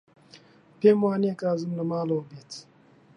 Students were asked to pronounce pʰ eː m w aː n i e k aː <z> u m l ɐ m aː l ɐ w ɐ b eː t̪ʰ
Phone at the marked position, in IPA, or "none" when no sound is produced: z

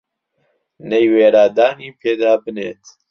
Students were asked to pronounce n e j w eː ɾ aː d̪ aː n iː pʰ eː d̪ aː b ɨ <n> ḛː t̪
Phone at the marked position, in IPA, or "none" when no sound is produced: n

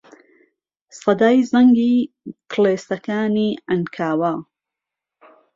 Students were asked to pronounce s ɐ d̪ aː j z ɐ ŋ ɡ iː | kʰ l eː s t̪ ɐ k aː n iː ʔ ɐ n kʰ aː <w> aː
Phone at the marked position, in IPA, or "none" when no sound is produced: w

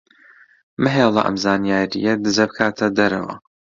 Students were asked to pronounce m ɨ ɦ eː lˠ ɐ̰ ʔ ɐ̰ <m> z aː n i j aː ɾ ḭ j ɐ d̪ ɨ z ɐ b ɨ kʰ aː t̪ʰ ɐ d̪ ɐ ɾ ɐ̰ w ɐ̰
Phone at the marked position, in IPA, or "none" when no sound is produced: m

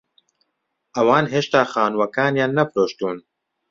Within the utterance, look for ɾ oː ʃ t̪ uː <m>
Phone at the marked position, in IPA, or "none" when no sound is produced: n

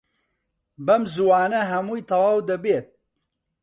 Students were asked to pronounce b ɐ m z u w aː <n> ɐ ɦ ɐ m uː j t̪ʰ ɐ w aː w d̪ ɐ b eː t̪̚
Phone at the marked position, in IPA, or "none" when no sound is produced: n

